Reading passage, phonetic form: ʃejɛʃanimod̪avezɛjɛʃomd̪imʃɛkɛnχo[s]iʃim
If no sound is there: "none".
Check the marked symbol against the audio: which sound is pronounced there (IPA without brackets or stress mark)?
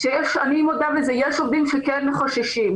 ʃ